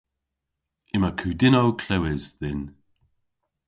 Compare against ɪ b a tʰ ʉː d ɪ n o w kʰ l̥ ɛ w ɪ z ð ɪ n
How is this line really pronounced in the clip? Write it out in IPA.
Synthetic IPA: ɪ m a kʰ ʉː d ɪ n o w kʰ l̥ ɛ w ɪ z ð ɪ n